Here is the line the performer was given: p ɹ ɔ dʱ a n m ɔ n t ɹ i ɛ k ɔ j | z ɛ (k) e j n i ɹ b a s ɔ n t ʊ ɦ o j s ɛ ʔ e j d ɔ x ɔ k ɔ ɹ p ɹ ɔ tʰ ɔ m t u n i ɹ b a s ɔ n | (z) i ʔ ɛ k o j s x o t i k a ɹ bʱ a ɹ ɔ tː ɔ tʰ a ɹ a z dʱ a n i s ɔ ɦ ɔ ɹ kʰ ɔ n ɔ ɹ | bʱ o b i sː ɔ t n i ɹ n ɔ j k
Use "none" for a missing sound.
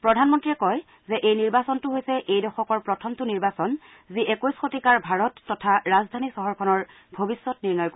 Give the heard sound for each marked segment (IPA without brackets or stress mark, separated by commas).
ʔ, z